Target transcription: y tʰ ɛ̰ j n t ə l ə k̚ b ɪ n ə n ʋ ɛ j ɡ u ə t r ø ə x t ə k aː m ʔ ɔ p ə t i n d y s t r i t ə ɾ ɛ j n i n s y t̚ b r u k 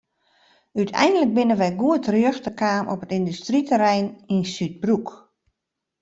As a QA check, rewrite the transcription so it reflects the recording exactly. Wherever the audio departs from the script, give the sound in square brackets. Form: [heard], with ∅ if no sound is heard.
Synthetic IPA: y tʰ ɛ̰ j n [d] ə l ə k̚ b ɪ n ə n ʋ ɛ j ɡ u ə t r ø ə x t ə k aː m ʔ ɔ p ə t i n d y s t r i t ə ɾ ɛ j n i n s y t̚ b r u k